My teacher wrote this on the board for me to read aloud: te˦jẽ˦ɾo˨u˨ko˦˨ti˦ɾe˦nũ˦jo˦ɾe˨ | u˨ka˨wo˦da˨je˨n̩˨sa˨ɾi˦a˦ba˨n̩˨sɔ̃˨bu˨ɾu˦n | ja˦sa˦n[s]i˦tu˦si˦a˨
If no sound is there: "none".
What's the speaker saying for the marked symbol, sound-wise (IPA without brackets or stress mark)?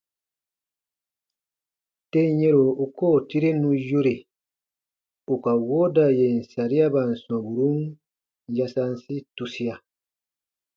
s